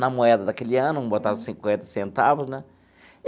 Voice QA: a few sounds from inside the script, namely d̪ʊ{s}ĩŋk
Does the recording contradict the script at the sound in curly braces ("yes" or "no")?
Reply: no